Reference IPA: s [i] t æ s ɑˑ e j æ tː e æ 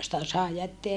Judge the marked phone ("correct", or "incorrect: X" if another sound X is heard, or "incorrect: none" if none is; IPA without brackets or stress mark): correct